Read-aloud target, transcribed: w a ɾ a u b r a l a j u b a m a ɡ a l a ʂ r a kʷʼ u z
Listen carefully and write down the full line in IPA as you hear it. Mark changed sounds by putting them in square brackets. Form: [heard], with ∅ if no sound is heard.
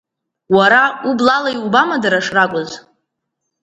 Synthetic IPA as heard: w a ɾ a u b [l] a l a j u b a m a [d] a [ɾ] a ʂ r a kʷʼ [ʊ] z